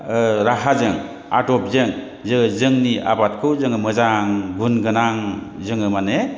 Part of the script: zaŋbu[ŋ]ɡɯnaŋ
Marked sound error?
yes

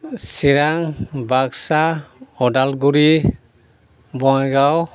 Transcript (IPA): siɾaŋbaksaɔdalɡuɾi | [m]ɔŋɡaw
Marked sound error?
yes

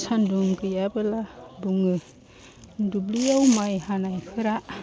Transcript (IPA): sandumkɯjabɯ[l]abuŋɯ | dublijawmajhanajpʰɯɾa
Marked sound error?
no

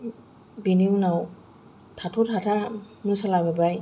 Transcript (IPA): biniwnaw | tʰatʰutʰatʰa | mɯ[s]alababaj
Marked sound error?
no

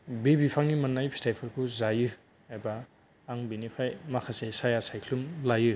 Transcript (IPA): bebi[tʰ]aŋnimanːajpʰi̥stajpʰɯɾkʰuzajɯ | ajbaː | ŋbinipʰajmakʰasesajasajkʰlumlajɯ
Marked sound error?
yes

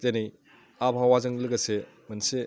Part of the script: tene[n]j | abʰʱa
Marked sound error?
yes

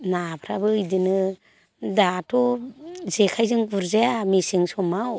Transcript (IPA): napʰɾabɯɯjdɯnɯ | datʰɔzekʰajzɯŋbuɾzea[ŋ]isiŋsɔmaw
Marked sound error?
yes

